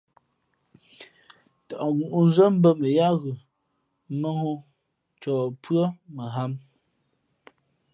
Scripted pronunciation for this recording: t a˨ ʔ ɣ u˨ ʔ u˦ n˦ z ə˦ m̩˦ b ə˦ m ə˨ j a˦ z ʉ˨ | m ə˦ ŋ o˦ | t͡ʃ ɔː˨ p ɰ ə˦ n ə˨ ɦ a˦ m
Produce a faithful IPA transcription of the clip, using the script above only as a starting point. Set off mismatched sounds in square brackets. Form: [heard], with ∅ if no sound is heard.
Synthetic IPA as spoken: t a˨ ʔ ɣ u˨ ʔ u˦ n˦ z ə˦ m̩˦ b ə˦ m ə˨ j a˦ [ɣ] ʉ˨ | m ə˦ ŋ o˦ | t͡ʃ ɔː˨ p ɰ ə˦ [m] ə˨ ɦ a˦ m